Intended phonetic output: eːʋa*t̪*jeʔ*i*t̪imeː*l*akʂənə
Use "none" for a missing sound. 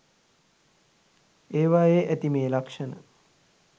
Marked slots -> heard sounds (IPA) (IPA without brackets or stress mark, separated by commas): none, æ, l